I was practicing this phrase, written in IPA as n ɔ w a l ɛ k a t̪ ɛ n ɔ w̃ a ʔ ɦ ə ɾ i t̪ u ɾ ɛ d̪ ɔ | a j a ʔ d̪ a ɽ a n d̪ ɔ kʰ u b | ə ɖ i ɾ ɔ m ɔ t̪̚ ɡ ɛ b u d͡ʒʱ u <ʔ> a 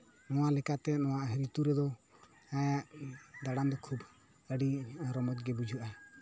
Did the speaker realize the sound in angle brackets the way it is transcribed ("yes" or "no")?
yes